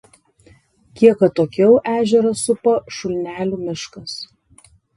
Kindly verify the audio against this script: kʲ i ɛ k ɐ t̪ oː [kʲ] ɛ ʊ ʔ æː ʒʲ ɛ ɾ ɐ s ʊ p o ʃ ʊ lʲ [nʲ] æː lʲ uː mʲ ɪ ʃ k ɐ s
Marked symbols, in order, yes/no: yes, yes

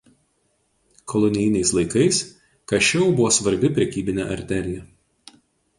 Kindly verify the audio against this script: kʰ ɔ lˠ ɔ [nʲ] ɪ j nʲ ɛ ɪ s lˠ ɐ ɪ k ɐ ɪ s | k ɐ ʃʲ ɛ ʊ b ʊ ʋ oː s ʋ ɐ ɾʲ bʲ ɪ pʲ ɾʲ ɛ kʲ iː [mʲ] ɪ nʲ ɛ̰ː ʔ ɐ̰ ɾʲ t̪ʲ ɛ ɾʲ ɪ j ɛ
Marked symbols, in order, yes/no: yes, no

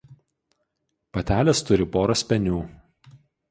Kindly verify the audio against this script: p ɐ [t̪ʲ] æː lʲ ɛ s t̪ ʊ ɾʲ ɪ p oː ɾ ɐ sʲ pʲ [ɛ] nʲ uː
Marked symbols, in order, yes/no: yes, yes

